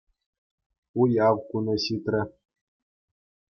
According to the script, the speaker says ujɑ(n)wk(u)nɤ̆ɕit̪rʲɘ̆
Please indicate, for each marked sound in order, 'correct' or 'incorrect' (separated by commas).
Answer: incorrect, correct